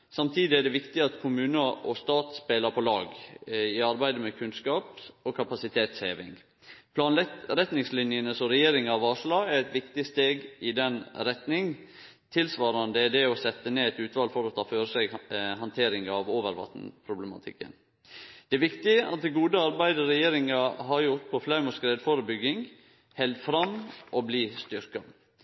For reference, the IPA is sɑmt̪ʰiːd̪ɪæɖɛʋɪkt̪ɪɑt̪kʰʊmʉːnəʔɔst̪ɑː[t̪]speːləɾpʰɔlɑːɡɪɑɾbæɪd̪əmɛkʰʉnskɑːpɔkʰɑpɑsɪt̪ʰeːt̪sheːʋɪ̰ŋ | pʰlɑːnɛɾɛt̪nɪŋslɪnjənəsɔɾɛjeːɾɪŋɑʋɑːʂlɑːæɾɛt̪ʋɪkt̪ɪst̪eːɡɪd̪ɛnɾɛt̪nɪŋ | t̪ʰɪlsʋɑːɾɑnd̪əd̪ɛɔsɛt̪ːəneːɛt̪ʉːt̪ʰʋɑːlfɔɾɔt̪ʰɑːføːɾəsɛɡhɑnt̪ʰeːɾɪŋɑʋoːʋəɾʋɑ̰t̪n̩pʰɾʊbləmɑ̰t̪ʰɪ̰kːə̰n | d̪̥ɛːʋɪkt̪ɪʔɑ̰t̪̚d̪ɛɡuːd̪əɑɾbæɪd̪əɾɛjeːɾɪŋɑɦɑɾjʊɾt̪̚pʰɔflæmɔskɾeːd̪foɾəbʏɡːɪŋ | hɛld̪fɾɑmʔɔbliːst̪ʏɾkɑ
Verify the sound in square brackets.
correct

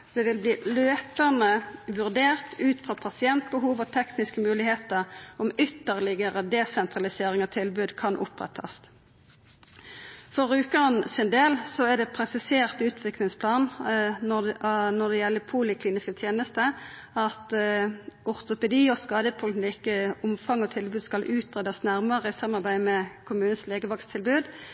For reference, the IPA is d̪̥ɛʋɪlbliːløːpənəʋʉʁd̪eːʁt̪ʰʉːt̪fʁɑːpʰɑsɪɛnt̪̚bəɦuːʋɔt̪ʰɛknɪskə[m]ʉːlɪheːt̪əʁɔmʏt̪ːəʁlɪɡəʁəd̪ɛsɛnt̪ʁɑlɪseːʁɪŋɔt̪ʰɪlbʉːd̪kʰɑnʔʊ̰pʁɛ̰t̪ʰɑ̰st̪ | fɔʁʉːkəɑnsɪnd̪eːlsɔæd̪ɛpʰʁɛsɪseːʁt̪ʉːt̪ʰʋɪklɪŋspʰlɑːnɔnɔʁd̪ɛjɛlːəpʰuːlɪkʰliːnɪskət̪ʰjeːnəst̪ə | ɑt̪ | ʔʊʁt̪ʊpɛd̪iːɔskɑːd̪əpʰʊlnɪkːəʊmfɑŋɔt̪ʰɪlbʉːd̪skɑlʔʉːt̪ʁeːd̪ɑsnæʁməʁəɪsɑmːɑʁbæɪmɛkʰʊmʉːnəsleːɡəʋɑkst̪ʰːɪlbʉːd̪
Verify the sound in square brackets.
correct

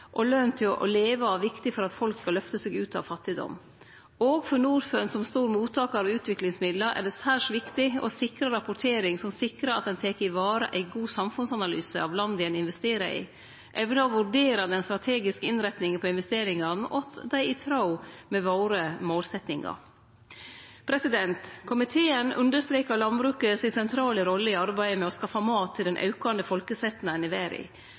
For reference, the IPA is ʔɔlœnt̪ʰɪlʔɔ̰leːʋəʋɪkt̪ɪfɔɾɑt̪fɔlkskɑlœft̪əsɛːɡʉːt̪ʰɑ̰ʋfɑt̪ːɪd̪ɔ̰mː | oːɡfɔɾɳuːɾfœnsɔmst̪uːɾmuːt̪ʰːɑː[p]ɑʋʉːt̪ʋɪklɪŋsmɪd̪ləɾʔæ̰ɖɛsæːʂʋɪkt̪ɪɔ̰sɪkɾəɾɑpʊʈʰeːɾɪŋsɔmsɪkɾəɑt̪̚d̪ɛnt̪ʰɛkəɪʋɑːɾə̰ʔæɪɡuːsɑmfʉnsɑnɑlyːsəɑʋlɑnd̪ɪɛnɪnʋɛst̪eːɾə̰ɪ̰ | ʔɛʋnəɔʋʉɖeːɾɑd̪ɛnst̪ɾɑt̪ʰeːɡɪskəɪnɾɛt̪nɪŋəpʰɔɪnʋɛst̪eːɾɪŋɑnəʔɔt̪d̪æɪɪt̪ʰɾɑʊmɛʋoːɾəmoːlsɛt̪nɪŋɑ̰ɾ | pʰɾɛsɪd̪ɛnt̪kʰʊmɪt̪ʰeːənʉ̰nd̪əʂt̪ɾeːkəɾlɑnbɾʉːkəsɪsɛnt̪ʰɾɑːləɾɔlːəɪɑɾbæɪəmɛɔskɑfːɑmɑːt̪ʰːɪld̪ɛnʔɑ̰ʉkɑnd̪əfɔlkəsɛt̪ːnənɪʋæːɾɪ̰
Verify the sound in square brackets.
incorrect: k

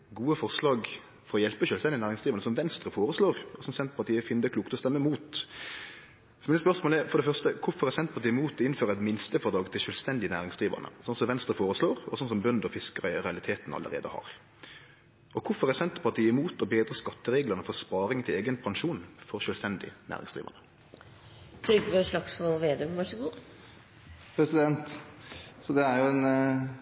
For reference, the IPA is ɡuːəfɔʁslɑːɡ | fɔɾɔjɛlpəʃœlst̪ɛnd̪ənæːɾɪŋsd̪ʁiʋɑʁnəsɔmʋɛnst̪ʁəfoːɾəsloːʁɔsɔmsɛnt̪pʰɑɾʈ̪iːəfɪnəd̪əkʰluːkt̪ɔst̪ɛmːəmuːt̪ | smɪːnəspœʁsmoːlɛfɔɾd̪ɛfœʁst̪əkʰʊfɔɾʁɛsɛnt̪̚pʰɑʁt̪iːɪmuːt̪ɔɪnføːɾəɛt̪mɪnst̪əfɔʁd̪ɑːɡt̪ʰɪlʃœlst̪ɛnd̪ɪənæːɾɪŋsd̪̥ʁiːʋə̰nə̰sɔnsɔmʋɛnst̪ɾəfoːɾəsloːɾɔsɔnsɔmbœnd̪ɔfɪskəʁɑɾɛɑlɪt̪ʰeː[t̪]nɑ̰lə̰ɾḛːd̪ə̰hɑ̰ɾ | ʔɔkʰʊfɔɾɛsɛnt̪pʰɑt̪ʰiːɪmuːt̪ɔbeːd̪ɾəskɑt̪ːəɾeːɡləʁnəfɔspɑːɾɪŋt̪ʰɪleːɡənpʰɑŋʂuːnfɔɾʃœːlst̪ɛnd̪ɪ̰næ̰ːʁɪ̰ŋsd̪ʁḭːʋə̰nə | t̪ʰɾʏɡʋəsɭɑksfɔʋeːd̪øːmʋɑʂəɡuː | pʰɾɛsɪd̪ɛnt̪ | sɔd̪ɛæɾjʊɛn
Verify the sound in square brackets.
correct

